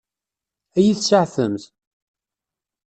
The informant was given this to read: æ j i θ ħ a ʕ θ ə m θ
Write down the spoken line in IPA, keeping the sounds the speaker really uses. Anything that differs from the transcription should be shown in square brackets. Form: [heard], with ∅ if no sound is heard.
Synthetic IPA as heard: æ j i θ [s] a ʕ θ ə m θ